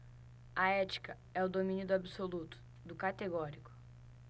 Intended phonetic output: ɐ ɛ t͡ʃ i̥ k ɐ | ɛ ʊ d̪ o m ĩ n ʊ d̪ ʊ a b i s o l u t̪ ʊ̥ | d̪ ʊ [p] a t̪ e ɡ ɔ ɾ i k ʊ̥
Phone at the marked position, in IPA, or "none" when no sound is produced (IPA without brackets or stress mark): k